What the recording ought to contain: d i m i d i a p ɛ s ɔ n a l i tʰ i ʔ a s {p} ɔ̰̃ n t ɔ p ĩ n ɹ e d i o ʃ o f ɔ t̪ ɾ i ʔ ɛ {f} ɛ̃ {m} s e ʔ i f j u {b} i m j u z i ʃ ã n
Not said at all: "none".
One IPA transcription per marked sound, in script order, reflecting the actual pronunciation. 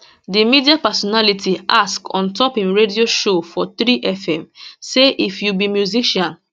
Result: k, f, m, b

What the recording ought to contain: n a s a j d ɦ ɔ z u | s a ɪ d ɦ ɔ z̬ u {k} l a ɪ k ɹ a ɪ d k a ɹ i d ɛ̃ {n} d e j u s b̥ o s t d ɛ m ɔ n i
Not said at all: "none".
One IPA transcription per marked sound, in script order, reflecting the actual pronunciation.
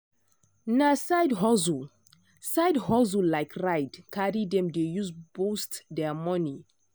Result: none, m

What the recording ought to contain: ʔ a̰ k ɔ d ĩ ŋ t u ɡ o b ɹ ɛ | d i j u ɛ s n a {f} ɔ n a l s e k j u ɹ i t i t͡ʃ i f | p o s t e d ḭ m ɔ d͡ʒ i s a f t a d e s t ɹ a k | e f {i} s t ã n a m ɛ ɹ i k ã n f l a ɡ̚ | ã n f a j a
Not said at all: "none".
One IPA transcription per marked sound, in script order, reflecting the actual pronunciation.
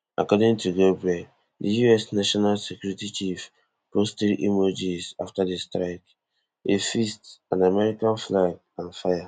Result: ʃ, i

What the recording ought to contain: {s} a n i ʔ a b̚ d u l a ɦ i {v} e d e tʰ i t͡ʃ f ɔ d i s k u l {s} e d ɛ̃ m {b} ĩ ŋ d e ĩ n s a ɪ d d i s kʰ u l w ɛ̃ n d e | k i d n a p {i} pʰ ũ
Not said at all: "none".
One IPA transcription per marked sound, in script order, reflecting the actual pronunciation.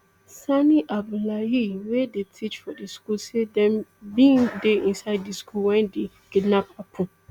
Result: s, w, s, b, a

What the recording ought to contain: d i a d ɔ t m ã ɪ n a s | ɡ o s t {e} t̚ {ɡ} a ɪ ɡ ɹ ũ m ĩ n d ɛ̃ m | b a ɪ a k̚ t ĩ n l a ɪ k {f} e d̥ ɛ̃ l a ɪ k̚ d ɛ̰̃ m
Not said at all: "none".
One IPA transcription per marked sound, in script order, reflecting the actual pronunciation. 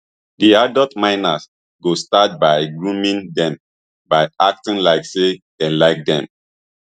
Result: a, b, s

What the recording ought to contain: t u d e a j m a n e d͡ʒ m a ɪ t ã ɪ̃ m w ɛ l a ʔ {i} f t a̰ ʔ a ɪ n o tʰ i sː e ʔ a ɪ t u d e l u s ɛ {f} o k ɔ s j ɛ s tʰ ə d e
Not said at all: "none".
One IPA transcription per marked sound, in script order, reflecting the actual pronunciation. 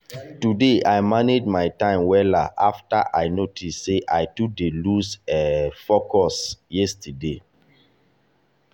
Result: a, f

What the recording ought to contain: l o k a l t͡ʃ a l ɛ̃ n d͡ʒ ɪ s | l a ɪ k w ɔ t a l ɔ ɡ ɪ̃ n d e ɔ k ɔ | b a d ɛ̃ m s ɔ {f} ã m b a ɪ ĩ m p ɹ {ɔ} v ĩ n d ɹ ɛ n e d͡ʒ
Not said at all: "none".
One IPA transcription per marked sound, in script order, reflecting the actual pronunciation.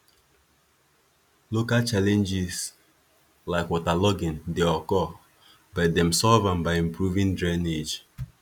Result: v, u

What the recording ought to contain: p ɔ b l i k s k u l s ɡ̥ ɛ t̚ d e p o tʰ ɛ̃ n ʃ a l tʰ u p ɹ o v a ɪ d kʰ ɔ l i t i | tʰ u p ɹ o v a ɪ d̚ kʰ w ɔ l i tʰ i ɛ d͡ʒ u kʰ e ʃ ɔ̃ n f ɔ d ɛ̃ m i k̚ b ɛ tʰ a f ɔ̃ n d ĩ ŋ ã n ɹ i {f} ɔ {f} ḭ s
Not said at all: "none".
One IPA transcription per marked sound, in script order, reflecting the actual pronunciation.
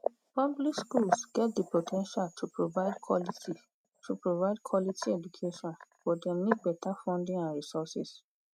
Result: s, s

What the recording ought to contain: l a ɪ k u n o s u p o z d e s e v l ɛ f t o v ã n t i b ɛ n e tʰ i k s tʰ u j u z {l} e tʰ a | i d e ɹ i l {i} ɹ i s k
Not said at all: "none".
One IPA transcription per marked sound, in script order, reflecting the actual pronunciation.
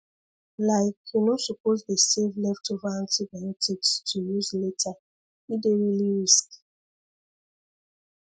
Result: l, i

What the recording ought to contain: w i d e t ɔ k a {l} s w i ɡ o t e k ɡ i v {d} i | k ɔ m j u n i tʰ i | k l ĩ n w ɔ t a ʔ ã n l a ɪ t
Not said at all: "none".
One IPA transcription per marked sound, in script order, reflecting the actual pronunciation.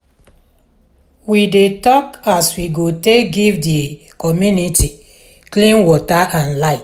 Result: none, d

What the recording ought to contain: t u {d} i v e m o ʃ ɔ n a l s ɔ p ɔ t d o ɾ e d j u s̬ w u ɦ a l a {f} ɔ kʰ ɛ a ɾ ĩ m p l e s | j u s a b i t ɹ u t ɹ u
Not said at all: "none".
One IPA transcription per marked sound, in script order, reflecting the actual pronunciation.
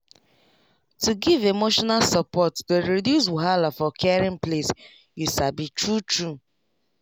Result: ɡ, f

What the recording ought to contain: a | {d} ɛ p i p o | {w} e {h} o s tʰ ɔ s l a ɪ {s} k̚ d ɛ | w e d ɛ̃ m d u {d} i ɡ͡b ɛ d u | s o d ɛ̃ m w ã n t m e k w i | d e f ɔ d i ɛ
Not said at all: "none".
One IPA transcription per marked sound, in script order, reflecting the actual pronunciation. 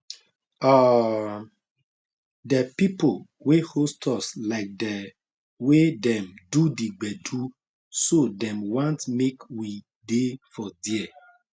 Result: d, w, h, none, d

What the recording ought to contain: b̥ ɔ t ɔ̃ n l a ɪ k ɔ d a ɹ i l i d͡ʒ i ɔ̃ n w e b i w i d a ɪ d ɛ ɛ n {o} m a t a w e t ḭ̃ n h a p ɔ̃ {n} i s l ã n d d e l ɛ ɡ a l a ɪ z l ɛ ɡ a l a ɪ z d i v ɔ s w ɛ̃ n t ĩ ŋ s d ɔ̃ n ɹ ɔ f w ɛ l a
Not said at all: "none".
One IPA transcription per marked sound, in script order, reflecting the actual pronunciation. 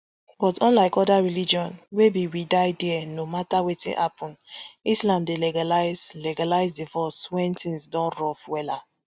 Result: o, n

